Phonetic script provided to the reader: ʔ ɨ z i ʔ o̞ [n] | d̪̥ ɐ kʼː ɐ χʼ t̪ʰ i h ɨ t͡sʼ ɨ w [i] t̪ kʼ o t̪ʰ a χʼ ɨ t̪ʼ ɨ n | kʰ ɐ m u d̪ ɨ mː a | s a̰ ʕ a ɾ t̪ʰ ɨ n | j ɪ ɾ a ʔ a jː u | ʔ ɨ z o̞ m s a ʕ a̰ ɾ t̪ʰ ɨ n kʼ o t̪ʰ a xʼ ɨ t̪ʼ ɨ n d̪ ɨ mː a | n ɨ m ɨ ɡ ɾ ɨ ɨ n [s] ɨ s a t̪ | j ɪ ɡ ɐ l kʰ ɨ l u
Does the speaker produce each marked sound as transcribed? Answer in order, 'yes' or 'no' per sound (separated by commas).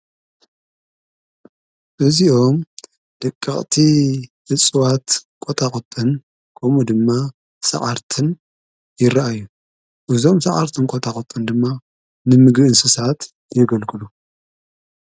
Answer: no, no, yes